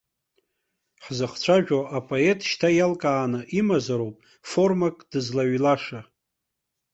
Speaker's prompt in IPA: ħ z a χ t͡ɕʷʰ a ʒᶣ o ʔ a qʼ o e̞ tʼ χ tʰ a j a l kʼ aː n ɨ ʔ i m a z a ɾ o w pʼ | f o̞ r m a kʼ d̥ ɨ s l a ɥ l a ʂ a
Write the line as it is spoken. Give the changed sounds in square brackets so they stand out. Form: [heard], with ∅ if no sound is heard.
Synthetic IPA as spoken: ħ z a χ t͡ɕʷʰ a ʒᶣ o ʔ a [pʼ] o e̞ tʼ [ʃ] tʰ a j a l kʼ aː n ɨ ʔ i m a z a ɾ o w pʼ | f o̞ r m a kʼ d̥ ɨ [z] l a ɥ l a ʂ a